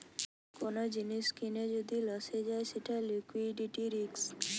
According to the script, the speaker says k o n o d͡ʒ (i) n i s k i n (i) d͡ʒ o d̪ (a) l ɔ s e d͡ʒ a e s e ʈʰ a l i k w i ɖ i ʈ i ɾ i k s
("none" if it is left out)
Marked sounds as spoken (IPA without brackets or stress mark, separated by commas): i, e, i